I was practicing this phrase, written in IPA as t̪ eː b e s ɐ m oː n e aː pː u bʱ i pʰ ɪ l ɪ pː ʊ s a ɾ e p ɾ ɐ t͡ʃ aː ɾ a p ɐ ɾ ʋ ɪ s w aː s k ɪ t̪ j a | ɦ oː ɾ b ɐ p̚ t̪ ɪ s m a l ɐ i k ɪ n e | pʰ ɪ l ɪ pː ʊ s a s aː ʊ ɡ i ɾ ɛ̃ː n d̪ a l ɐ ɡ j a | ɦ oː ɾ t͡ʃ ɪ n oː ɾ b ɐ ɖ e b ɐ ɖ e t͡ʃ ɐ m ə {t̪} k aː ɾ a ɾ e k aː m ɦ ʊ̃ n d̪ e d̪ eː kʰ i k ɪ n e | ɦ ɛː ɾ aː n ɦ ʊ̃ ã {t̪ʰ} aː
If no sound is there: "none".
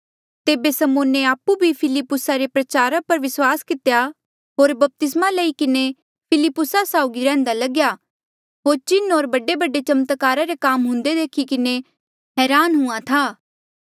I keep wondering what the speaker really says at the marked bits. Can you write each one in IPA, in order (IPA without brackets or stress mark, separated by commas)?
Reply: t̪, t̪ʰ